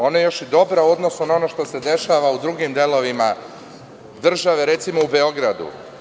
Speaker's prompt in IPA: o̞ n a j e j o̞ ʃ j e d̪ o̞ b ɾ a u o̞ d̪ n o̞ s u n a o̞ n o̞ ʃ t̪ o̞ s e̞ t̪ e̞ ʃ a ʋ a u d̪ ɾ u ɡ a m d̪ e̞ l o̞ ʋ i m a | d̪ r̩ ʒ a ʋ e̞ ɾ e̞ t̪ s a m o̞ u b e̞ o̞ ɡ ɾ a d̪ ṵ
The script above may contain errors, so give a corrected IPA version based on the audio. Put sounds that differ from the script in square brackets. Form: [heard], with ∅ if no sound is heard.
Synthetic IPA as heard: o̞ n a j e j o̞ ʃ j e d̪ o̞ b ɾ a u o̞ d̪ n o̞ s u n a o̞ n o̞ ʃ t̪ o̞ s e̞ [d̪] e̞ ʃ a ʋ a u d̪ ɾ u ɡ [i] m d̪ e̞ l o̞ ʋ i m a | d̪ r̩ ʒ a ʋ e̞ ɾ e̞ t̪ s [i] m o̞ u b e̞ o̞ ɡ ɾ a d̪ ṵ